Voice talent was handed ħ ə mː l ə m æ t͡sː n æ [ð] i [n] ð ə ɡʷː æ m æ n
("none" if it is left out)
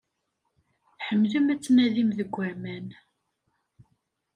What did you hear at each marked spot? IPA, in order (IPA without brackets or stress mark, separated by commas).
ð, m